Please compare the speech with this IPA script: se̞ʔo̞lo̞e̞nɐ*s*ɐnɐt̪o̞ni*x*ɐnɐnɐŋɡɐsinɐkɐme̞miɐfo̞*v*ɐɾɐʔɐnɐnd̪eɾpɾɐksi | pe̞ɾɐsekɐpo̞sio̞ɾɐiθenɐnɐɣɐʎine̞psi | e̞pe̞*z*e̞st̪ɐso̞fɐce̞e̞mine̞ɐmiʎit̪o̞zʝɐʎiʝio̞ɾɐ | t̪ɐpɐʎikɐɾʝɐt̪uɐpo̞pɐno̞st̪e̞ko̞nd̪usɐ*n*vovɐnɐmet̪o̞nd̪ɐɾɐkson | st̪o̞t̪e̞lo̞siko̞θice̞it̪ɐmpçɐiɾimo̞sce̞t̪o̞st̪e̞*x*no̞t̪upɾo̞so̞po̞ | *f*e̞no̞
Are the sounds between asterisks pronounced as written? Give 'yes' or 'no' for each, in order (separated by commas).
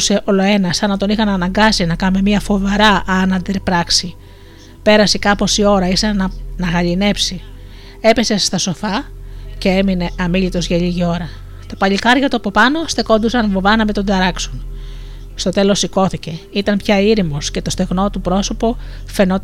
yes, yes, yes, no, yes, no, yes